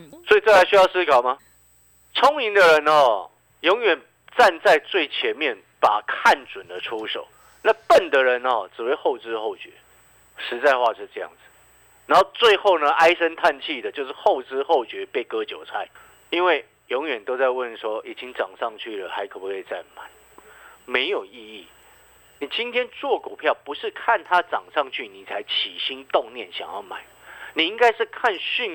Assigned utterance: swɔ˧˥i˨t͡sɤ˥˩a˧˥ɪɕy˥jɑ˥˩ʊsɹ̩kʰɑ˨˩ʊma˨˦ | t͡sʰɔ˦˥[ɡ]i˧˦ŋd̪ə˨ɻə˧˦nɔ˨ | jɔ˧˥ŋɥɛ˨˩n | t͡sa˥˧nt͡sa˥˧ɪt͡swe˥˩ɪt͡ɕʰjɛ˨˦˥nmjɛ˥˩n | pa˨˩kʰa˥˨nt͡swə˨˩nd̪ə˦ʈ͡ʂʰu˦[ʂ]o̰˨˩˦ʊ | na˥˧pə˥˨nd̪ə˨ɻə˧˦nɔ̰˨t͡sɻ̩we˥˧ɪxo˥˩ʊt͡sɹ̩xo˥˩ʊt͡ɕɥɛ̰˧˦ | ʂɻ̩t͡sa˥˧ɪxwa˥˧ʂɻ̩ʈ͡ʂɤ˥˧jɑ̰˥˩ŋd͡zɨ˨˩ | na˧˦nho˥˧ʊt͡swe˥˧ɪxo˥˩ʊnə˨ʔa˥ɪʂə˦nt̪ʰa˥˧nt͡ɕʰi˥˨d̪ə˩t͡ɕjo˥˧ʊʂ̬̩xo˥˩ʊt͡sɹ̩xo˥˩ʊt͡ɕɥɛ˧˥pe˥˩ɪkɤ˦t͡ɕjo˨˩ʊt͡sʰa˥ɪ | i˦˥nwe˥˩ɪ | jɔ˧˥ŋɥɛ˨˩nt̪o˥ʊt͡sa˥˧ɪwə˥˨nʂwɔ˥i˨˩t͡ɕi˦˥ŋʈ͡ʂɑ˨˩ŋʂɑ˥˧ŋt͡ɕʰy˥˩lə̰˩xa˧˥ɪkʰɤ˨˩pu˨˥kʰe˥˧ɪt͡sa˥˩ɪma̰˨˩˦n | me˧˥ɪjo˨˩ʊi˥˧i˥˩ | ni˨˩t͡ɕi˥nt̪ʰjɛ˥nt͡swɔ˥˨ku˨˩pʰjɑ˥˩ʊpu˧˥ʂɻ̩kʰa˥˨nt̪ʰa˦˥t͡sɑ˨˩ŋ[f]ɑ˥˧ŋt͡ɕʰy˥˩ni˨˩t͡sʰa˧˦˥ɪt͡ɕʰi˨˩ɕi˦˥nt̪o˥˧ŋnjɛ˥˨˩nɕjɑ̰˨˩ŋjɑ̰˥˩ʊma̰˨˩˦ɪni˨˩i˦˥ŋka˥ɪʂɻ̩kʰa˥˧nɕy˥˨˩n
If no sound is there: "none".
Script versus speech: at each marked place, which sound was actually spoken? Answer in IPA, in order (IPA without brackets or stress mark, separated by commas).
ŋ, ʂ, ʂ